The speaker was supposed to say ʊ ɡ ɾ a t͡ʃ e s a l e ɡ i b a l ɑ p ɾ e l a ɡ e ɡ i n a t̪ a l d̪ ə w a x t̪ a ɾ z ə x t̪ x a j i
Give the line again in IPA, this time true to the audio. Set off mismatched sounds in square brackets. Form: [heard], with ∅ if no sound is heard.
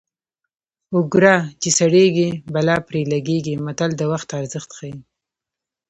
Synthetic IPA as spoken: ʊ ɡ ɾ a t͡ʃ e s a [ɽ] e ɡ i b a l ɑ p ɾ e l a ɡ e ɡ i [m] a t̪ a l d̪ ə w a x t̪ a ɾ z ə x t̪ x a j i